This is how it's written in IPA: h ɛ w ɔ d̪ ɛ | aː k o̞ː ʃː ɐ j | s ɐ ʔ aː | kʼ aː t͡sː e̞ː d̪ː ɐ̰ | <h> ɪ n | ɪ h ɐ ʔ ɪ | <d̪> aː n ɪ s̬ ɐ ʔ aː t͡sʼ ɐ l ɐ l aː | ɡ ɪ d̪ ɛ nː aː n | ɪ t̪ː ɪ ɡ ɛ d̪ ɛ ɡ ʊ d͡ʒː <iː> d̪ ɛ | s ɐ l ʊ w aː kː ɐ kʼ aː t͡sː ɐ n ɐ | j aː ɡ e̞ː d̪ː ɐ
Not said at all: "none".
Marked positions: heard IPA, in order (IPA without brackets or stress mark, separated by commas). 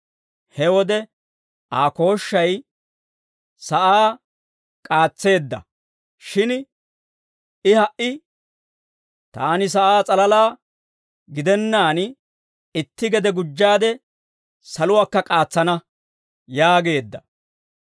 ʃ, t̪, aː